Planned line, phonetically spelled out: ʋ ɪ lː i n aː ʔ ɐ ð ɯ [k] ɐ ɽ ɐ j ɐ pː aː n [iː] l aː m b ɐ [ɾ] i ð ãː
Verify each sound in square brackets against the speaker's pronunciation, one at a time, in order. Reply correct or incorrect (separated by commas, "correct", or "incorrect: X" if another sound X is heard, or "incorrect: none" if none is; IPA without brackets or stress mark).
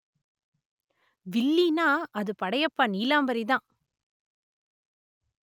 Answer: incorrect: p, correct, correct